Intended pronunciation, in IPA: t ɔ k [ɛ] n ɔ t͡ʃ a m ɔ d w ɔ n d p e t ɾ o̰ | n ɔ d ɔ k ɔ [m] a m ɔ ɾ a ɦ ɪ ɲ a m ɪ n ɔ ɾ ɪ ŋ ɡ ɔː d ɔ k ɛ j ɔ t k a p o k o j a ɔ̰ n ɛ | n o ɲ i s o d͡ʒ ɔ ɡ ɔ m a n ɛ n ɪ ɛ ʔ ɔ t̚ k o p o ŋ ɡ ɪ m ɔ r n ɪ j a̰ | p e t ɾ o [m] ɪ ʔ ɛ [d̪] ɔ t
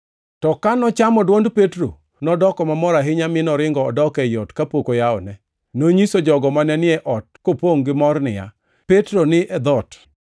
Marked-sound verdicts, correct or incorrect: incorrect, correct, incorrect, correct

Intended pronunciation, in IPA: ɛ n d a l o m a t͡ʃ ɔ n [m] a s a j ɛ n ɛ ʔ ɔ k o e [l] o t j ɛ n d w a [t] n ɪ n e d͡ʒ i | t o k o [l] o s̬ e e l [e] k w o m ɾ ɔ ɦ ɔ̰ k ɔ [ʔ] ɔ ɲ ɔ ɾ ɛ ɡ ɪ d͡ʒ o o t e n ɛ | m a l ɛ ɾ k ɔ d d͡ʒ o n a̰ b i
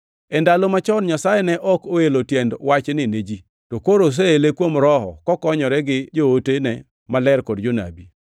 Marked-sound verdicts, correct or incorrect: incorrect, correct, incorrect, incorrect, correct, incorrect

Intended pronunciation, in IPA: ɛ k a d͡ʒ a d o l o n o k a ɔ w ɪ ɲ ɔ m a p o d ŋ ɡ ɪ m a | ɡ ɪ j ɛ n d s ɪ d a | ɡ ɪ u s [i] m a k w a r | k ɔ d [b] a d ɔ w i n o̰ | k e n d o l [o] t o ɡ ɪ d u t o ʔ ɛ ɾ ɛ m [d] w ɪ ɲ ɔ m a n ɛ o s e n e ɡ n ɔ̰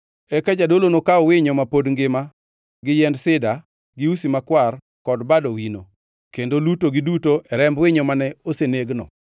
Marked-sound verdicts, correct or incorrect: correct, correct, incorrect, incorrect

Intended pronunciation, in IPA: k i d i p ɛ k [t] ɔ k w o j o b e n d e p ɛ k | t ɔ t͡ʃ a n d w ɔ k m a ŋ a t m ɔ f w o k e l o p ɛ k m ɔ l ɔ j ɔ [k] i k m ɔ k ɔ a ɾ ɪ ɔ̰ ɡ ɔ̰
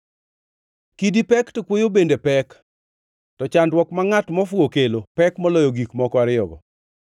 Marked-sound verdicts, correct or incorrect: correct, incorrect

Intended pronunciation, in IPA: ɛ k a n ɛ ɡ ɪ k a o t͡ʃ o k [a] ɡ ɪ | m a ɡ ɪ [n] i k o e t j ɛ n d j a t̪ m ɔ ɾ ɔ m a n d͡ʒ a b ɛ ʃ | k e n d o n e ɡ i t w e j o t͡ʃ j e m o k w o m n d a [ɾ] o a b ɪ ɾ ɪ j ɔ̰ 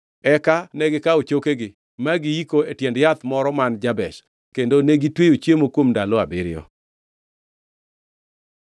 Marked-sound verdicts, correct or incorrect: incorrect, incorrect, incorrect

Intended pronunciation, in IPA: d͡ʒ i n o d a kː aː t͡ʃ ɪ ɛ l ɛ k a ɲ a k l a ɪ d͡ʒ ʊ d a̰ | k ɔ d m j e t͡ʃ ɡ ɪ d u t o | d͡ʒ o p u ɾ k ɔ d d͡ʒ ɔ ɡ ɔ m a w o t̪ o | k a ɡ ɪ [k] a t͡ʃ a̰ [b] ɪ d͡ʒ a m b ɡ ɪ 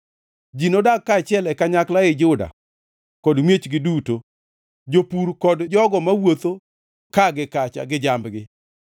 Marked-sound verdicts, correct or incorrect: correct, incorrect

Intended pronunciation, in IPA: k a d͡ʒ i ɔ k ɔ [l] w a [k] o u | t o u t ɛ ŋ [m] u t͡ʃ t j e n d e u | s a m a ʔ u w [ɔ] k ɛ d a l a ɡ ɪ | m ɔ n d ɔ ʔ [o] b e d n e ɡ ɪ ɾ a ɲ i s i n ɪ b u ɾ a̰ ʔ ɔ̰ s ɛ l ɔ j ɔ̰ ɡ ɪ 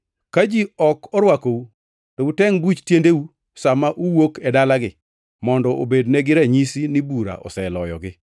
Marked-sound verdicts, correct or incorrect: incorrect, correct, incorrect, incorrect, correct

